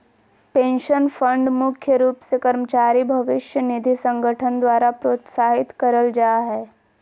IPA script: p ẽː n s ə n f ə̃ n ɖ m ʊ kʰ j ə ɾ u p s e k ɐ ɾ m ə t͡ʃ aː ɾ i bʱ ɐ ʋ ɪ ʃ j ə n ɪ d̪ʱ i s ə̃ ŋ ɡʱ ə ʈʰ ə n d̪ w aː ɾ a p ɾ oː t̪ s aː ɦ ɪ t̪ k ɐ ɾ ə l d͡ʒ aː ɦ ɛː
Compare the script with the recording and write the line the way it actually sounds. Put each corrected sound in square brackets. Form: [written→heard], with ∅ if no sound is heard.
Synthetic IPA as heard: p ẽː n [s→ʃ] ə n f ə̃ [n→ɳ] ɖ m ʊ kʰ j ə ɾ [u→uː] p s e k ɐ ɾ m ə t͡ʃ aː ɾ i bʱ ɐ ʋ ɪ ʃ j ə n ɪ d̪ʱ i s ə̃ ŋ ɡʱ ə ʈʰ ə n d̪ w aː ɾ a p ɾ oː t̪ s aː ɦ ɪ t̪ k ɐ ɾ ə l d͡ʒ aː ɦ ɛː